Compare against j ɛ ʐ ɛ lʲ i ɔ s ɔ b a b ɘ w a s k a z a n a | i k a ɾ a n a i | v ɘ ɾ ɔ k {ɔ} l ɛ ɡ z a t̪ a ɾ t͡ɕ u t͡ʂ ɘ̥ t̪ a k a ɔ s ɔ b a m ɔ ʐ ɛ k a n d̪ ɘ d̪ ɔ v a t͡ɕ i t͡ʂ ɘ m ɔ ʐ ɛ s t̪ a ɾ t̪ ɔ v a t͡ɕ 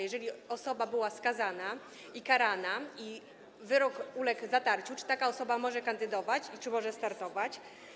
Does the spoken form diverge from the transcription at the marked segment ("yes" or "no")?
yes